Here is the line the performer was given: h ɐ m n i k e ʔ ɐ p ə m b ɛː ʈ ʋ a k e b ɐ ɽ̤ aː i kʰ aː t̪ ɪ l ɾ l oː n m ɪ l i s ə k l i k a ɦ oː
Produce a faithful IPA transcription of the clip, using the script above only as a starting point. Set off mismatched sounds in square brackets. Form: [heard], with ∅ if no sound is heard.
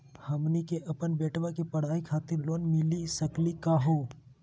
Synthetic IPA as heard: h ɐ m n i k e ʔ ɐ p ə [n] b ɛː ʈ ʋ a k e [p] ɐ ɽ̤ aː i kʰ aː t̪ ɪ [∅] ɾ l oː n m ɪ l i s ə k l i k a ɦ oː